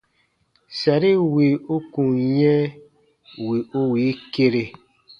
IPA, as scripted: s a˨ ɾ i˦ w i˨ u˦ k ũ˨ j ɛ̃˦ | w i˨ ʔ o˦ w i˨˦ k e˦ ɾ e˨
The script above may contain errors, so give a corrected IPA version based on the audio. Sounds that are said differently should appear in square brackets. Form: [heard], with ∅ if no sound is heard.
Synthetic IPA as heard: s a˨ ɾ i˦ w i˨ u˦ k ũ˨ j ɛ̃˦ | w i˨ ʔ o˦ w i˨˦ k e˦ ɾ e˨